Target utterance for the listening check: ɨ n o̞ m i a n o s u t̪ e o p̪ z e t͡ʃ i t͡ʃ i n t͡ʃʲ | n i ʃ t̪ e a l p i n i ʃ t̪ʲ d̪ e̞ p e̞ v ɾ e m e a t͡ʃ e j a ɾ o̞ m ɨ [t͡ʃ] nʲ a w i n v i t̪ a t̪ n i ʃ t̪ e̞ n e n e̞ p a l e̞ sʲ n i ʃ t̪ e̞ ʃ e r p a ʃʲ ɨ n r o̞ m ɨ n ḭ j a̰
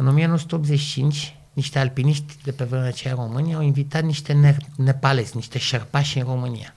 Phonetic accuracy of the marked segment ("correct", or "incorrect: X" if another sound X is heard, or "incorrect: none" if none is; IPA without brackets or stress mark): incorrect: none